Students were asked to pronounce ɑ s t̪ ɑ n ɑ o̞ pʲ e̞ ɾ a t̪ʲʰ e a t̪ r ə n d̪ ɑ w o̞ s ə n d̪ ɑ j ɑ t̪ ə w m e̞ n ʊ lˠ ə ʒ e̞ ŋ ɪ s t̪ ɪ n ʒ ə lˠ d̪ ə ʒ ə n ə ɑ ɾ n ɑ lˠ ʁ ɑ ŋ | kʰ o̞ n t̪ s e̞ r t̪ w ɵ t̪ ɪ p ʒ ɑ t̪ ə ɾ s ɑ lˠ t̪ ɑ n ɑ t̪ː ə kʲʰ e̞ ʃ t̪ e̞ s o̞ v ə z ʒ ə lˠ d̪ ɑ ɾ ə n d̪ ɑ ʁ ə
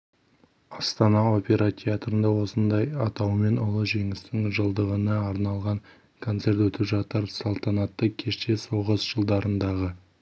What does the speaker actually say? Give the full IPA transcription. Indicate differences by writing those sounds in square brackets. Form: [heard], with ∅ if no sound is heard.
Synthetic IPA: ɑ s t̪ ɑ n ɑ o̞ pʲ e̞ ɾ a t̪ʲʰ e a t̪ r ə n d̪ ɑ w o̞ s ə n d̪ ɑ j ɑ t̪ [ɑ] w m e̞ n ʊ lˠ ə ʒ e̞ ŋ ɪ s t̪ ɪ [ŋ] ʒ ə lˠ d̪ ə [ʁ] ə n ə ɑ ɾ n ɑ lˠ ʁ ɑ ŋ | kʰ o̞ n t̪ s e̞ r t̪ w ɵ t̪ ɪ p ʒ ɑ t̪ ə ɾ s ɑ lˠ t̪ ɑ n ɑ t̪ː ə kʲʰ e̞ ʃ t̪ e̞ s o̞ [ʁ] ə z ʒ ə lˠ d̪ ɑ ɾ ə n d̪ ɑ ʁ ə

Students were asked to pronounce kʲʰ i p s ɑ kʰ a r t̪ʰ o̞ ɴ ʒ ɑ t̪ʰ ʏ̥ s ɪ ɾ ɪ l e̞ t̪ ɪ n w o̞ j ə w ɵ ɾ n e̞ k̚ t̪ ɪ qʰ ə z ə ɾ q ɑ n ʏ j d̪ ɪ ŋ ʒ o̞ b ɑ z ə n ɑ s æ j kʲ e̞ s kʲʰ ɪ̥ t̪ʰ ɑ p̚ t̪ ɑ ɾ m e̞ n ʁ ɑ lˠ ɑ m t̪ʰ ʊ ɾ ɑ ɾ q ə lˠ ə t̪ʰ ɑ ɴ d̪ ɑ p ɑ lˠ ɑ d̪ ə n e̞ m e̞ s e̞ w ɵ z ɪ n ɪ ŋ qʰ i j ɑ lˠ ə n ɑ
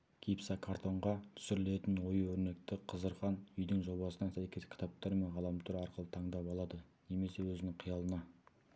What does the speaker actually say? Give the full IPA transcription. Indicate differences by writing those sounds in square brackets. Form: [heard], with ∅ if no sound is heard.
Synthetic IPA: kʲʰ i p s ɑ kʰ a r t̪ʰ o̞ ɴ [ʁ] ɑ t̪ʰ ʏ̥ s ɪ ɾ ɪ l e̞ t̪ ɪ n w o̞ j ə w ɵ ɾ n e̞ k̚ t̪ ɪ qʰ ə z ə ɾ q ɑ n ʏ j d̪ ɪ ŋ ʒ o̞ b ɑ [s] ə n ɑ s æ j kʲ e̞ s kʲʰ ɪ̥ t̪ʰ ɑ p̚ t̪ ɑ ɾ m e̞ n ʁ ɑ lˠ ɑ m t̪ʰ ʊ ɾ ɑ ɾ q ə lˠ ə t̪ʰ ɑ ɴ d̪ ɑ p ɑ lˠ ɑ d̪ ə n e̞ m e̞ s e̞ w ɵ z ɪ n ɪ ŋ qʰ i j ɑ lˠ ə n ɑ

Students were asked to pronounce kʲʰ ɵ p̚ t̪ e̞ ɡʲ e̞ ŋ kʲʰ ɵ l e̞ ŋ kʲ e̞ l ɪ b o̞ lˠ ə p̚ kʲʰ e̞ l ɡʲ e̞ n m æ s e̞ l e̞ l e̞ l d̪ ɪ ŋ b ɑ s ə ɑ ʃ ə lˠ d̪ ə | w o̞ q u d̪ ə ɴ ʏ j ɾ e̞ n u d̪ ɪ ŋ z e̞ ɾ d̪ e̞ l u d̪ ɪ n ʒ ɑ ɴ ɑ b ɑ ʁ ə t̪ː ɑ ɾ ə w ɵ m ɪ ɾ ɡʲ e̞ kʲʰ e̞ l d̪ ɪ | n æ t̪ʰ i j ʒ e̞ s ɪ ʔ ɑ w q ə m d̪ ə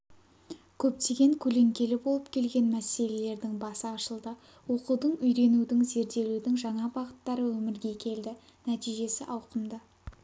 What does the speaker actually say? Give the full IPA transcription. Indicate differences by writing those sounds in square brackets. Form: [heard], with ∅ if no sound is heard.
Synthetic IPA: kʲʰ ɵ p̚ t̪ e̞ ɡʲ e̞ ŋ kʲʰ ɵ l e̞ ŋ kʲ e̞ l ɪ b o̞ lˠ ə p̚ kʲʰ e̞ l ɡʲ e̞ n m æ s e̞ l e̞ l e̞ [ɾ] d̪ ɪ ŋ b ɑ s ə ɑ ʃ ə lˠ d̪ ə | w o̞ q u d̪ ə ɴ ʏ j ɾ e̞ n u d̪ ɪ ŋ z e̞ ɾ d̪ e̞ l u d̪ ɪ [ŋ] ʒ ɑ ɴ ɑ b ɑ ʁ ə t̪ː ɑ ɾ ə w ɵ m ɪ ɾ ɡʲ e̞ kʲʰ e̞ l d̪ ɪ | n æ [t̪] i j ʒ e̞ s ɪ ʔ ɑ w q ə m d̪ ə

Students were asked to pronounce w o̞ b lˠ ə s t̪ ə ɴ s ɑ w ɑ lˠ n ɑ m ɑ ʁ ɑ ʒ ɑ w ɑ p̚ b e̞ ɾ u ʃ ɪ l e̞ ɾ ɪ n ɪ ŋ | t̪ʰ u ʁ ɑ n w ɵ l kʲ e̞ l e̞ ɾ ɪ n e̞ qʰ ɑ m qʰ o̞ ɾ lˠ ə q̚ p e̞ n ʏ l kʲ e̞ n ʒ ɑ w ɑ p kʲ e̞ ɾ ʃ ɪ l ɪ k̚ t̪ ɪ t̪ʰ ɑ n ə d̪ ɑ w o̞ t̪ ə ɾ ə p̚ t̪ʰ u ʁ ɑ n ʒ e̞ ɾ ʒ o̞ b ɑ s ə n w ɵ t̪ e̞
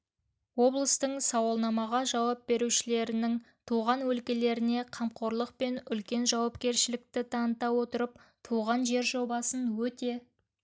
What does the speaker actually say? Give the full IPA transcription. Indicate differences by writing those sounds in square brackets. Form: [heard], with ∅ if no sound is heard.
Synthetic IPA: w o̞ b lˠ ə s t̪ ə ɴ s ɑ w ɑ lˠ n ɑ m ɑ ʁ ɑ ʒ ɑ w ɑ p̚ b e̞ ɾ u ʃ ɪ l e̞ ɾ ɪ n ɪ ŋ | t̪ʰ u ʁ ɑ n w ɵ l kʲ e̞ l e̞ ɾ ɪ n e̞ qʰ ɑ m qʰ o̞ ɾ lˠ ə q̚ p e̞ n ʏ l kʲ e̞ n ʒ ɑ w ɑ p kʲ e̞ ɾ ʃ ɪ l ɪ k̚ t̪ ɪ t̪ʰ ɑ n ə [t̪] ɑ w o̞ t̪ ə ɾ ə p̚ t̪ʰ u ʁ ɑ n ʒ e̞ ɾ ʒ o̞ b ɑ s ə n w ɵ t̪ e̞

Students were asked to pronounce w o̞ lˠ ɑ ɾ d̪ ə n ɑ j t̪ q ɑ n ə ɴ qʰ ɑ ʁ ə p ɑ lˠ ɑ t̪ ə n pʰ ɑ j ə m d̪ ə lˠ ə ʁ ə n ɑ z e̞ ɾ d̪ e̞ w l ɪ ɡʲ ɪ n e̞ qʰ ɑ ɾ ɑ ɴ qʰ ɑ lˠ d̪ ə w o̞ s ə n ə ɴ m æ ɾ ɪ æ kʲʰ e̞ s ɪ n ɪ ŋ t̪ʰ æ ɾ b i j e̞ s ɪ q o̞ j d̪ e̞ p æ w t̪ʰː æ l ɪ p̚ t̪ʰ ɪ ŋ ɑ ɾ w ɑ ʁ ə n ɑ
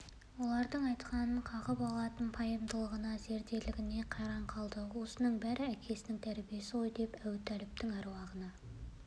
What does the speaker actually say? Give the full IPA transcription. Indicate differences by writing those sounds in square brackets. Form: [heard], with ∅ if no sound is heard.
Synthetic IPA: w o̞ lˠ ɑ ɾ d̪ ə [ɴ] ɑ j t̪ q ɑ n ə ɴ qʰ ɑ ʁ ə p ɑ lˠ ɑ t̪ ə n pʰ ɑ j ə m d̪ ə lˠ ə ʁ ə n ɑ z e̞ ɾ d̪ e̞ [∅] l ɪ ɡʲ ɪ n e̞ qʰ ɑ ɾ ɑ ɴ qʰ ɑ lˠ d̪ ə w o̞ s ə n ə ɴ [b] æ ɾ ɪ æ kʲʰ e̞ s ɪ n ɪ ŋ t̪ʰ æ ɾ b i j e̞ s ɪ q o̞ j d̪ e̞ p æ w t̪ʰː æ l ɪ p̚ [t̪] ɪ ŋ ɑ ɾ w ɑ ʁ ə n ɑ

